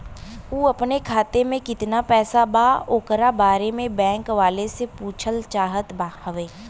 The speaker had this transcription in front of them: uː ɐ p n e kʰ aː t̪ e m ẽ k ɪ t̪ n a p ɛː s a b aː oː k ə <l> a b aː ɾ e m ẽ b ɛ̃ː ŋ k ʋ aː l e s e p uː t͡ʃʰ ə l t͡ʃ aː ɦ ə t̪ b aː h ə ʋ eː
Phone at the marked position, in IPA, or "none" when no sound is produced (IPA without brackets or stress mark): ɾ